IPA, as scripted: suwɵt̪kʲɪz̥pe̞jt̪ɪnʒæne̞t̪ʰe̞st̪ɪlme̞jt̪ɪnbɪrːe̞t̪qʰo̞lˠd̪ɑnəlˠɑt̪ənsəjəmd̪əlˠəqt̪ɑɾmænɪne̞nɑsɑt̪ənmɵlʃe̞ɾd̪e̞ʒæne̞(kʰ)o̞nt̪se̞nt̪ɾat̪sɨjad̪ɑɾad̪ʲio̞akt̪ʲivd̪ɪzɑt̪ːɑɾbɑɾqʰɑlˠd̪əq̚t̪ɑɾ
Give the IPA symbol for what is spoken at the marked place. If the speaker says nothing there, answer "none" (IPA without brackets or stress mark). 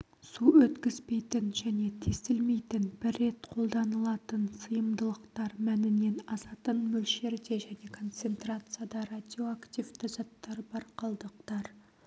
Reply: kʰ